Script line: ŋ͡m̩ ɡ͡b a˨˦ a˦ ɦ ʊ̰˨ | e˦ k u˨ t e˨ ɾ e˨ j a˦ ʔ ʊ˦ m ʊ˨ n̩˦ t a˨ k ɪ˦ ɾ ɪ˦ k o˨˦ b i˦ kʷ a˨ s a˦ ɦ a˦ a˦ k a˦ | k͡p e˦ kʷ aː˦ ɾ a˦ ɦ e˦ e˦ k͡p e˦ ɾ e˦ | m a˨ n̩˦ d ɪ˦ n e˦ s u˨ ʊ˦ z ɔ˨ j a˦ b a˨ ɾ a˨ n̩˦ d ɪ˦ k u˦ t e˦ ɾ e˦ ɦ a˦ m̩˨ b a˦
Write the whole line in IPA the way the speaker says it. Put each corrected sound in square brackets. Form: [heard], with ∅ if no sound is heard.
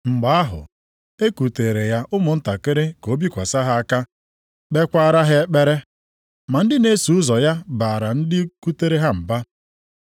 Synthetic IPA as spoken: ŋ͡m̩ ɡ͡b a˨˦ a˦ ɦ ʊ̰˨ | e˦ k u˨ t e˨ ɾ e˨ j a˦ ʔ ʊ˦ m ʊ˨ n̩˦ t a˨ k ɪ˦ ɾ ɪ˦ k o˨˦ b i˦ kʷ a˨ s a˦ ɦ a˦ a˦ k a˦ | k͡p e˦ kʷ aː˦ ɾ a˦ ɦ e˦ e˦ k͡p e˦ ɾ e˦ | m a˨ n̩˦ d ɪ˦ n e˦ s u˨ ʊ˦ z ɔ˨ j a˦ b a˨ ɾ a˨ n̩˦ d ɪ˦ k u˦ t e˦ ɾ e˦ ɦ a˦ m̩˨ b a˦